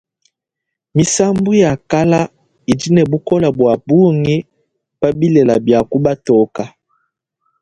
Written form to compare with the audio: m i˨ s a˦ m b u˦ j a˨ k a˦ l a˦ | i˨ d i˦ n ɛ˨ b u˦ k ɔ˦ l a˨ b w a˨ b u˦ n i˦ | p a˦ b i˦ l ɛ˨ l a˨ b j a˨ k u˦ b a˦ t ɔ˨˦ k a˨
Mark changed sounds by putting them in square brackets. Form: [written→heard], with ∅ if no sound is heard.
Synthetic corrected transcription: m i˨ s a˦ m b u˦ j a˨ k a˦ l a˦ | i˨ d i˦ n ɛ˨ b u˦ k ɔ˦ l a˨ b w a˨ b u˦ [n→ŋ] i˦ | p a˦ b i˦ l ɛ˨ l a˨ b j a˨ k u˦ b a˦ t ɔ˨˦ k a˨